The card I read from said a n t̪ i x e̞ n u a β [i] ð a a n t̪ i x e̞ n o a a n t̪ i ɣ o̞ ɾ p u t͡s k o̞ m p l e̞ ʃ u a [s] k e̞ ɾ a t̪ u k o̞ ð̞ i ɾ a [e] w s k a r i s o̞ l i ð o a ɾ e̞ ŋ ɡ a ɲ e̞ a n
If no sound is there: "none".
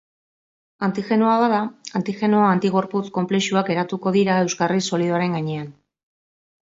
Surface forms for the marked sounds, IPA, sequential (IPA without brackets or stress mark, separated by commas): a, none, e